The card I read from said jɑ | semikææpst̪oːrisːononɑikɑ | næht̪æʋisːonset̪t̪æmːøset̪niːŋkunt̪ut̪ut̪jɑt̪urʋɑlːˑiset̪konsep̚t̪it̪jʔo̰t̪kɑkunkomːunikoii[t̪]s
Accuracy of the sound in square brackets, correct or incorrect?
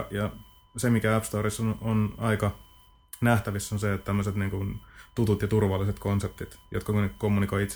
correct